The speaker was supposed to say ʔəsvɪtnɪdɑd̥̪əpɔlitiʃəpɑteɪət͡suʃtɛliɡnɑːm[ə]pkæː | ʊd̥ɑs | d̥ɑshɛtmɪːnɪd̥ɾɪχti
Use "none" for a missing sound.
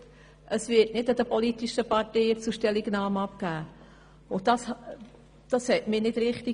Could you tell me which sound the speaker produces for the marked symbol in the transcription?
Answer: ɑ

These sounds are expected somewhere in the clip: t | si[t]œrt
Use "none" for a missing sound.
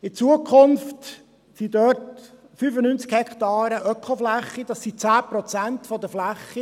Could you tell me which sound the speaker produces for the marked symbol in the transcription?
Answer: d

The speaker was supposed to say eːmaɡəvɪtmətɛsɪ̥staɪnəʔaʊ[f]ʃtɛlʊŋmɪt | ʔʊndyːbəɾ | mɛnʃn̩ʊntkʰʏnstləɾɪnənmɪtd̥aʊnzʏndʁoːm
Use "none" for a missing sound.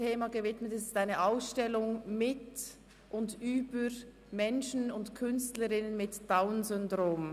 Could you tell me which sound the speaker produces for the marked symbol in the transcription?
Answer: s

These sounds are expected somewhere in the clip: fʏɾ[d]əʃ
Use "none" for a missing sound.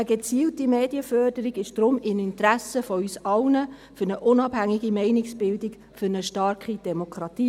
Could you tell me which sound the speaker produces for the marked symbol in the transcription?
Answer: n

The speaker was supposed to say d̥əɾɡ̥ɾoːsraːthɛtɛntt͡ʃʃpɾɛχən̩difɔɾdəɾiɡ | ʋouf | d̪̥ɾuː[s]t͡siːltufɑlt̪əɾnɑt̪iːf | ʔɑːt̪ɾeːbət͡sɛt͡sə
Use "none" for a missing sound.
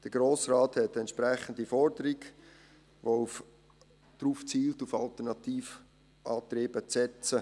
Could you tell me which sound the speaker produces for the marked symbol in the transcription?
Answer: f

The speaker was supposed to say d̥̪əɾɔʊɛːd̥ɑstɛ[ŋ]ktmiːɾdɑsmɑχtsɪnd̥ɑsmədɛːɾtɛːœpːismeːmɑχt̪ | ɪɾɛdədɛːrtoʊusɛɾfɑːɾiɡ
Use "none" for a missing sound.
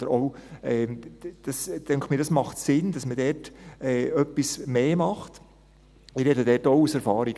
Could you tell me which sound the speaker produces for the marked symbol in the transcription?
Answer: ŋ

